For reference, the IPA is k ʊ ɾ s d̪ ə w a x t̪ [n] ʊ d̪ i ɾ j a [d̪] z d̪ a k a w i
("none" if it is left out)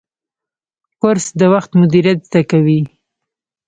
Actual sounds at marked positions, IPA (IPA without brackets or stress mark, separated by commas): m, t̪